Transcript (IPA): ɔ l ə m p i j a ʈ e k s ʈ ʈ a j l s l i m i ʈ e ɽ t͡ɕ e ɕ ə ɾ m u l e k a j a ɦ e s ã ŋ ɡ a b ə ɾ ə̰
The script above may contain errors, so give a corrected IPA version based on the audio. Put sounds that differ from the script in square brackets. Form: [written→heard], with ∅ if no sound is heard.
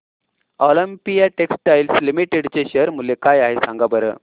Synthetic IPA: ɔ l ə m p i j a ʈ e k s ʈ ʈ a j l s l i m i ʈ e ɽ t͡ɕ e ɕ ə ɾ m u l e k a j a ɦ e s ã ŋ ɡ a b ə ɾ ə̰